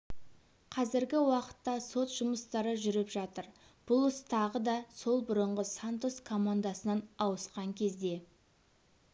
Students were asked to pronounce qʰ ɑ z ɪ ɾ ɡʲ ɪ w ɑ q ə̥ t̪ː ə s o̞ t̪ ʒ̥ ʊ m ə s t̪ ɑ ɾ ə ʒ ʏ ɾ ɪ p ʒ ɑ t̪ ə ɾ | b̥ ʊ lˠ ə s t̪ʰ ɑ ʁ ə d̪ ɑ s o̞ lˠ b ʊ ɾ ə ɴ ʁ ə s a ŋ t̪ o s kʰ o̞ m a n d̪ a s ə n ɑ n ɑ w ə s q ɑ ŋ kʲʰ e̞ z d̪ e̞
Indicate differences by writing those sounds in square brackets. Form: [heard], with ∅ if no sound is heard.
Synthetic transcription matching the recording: qʰ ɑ z ɪ ɾ ɡʲ ɪ w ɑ q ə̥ t̪ː [ɑ] s o̞ t̪ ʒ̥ ʊ m ə s t̪ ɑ ɾ ə ʒ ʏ ɾ ɪ p ʒ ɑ t̪ ə ɾ | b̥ ʊ lˠ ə s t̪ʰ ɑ ʁ ə d̪ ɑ s o̞ lˠ b ʊ ɾ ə ɴ ʁ ə s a [n] t̪ o s kʰ o̞ m a n d̪ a s ə n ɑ n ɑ w ə s q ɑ ŋ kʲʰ e̞ z d̪ e̞